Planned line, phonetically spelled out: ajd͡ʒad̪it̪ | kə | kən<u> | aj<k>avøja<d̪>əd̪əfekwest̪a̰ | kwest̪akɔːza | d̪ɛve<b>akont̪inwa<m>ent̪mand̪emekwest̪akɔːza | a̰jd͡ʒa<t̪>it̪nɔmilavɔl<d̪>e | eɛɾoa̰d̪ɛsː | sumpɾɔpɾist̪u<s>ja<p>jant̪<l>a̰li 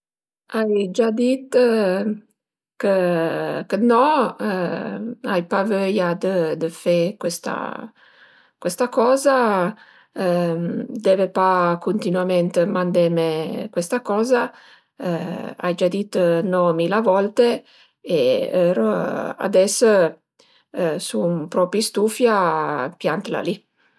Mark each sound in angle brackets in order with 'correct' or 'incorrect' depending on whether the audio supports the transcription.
incorrect: ɔ, incorrect: p, correct, incorrect: p, correct, incorrect: d̪, incorrect: t̪, incorrect: f, correct, correct

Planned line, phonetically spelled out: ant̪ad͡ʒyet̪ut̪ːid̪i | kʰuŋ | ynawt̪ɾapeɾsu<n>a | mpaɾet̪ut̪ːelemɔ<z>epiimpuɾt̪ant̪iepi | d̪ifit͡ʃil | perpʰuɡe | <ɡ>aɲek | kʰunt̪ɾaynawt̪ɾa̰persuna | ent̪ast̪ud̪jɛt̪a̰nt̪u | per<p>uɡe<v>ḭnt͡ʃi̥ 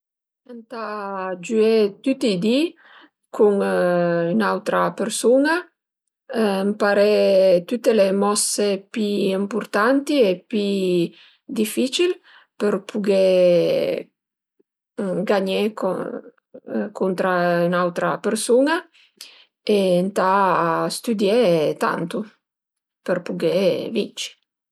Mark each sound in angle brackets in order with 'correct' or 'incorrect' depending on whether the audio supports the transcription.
correct, incorrect: s, correct, correct, correct

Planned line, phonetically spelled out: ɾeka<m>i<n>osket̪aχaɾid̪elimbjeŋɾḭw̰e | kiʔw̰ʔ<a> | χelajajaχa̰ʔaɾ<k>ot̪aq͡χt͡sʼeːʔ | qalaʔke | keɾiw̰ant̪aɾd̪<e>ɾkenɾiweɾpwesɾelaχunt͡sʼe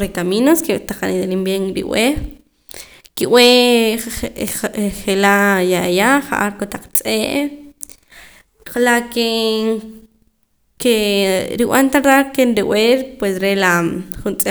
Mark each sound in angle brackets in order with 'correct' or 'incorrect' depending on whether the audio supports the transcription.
correct, correct, incorrect: e, correct, incorrect: a

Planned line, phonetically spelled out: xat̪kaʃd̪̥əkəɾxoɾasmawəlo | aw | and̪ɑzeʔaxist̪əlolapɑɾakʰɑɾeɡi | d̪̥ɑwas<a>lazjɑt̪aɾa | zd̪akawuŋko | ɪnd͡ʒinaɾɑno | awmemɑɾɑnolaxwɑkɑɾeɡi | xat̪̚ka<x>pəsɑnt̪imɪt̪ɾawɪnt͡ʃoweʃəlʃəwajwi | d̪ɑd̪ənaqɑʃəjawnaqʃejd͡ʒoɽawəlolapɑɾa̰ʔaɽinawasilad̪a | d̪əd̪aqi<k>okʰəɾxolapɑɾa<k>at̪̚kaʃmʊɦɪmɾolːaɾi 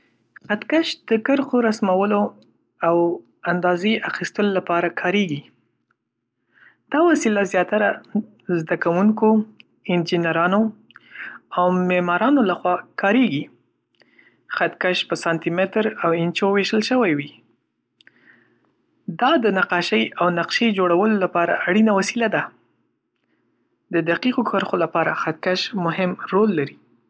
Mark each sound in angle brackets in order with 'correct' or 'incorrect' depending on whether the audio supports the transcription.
incorrect: i, incorrect: ʃ, incorrect: q, incorrect: x

